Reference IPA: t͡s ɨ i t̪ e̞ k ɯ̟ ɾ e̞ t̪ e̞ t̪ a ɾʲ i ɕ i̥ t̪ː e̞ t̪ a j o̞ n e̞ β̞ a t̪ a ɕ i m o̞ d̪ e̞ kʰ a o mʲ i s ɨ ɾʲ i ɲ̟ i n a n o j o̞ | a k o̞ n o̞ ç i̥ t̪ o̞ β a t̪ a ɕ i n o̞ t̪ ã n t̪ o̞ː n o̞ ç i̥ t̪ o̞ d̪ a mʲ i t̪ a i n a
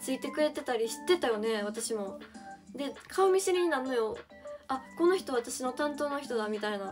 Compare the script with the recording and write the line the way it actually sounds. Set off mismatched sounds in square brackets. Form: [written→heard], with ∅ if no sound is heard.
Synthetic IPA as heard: t͡s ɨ i t̪ e̞ k ɯ̟ ɾ e̞ t̪ e̞ t̪ a ɾʲ i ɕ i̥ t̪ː e̞ t̪ a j o̞ n e̞ β̞ a t̪ a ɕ i m o̞ d̪ e̞ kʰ a o mʲ i s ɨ ɾʲ i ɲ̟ i n a n o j o̞ | a k o̞ n o̞ ç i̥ t̪ o̞ β a t̪ a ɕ i n o̞ t̪ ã n t̪ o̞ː n o̞ ç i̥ t̪ o̞ d̪ a mʲ i t̪ a i n a